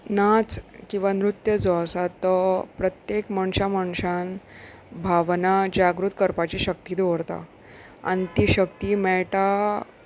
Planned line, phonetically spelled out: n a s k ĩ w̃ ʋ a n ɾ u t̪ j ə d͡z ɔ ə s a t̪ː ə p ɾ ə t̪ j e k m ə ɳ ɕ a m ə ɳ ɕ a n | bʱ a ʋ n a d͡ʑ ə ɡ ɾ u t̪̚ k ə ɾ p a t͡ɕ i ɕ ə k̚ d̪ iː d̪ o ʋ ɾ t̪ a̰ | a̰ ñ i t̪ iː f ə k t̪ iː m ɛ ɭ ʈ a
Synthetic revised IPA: n a t͡s k ĩ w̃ ʋ a n ɾ u t̪ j ə d͡z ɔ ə s a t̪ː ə p ɾ ə t̪ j e k m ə ɳ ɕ a m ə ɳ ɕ a n | bʱ a ʋ n a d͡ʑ a ɡ ɾ u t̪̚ k ə ɾ p a t͡ɕ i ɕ ə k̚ t̪ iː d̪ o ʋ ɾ t̪ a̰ | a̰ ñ i t̪ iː ɕ ə k t̪ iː m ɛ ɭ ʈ a

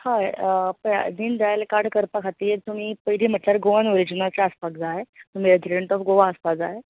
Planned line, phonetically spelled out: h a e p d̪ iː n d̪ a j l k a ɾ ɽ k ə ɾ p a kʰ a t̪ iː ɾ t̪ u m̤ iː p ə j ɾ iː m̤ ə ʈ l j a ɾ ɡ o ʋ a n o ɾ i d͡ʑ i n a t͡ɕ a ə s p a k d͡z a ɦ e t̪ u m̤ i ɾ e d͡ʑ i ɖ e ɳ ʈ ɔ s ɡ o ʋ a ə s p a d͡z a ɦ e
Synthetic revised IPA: h a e p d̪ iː n d̪ a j l k a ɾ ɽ k ə ɾ p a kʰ a t̪ iː ɾ t̪ u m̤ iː p ə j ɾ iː m̤ ə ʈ l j a ɾ ɡ o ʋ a n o ɾ i d͡ʑ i n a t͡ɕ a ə s p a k d͡z a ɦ e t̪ u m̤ i ɾ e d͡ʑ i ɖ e ɳ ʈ ɔ f ɡ o ʋ a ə s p a d͡z a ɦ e

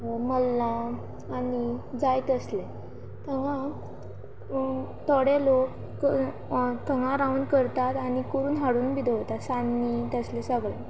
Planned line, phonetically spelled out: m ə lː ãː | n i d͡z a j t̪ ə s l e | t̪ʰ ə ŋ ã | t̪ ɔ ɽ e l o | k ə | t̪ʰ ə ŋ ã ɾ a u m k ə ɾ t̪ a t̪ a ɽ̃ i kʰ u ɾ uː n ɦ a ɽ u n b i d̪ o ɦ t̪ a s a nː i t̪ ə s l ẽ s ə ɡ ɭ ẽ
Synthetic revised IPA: m ə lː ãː | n i d͡z a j t̪ ə s l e | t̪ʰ ə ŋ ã | t̪ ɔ ɽ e l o | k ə | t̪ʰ ə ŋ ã ɾ a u n k ə ɾ t̪ a t̪ a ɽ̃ i k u ɾ uː n ɦ a ɽ uː n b i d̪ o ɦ t̪ a s a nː i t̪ ə s l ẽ s ə ɡ ɭ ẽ

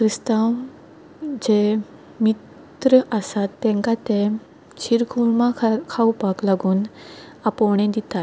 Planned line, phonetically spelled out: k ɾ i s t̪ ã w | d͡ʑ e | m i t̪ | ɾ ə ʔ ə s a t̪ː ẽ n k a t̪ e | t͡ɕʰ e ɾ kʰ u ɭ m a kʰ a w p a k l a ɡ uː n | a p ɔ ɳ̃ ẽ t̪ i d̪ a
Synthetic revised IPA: k ɾ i s t̪ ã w | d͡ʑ e | m i t̪ | ɾ ə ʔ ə s a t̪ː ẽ ŋ k a t̪ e | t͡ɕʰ i ɾ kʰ u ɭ m a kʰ a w p a k l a ɡ uː n | a p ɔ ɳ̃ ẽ d̪ i t̪ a

